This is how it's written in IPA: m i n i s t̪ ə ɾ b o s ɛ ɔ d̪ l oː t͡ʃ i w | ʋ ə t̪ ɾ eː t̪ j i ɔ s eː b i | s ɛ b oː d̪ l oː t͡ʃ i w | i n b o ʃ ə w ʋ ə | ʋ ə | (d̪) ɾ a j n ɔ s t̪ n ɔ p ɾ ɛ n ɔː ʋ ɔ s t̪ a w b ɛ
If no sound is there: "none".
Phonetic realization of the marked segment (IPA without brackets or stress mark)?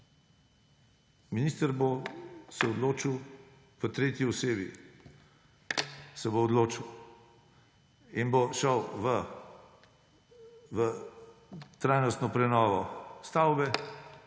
t̪